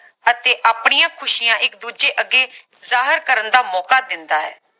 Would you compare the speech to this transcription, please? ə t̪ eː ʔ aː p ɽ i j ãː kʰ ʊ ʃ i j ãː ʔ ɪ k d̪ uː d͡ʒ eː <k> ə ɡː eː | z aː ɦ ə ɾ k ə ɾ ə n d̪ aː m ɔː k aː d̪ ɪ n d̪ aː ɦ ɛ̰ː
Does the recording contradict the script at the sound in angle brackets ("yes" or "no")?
yes